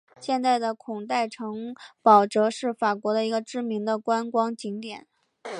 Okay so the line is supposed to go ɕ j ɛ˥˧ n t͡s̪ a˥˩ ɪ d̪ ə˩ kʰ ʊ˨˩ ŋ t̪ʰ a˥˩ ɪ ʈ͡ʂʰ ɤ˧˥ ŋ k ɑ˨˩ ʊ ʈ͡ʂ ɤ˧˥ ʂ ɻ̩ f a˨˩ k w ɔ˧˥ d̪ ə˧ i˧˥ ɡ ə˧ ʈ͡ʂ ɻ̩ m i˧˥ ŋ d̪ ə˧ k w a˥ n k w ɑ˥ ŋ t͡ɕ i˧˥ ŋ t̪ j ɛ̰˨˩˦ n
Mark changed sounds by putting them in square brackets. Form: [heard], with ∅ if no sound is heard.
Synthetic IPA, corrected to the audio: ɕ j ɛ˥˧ n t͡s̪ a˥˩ ɪ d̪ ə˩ kʰ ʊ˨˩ ŋ [t̪] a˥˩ ɪ ʈ͡ʂʰ ɤ˧˥ ŋ [p] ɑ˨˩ ʊ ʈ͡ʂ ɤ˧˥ ʂ ɻ̩ f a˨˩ k w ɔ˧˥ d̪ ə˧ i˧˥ ɡ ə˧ ʈ͡ʂ ɻ̩ m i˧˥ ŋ d̪ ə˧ k w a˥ n k w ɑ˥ ŋ t͡ɕ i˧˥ ŋ t̪ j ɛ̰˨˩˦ n